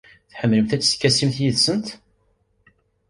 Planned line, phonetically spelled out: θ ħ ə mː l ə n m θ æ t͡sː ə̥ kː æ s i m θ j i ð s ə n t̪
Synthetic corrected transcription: θ ħ ə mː l ə m θ æ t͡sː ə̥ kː æ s i m θ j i ð s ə n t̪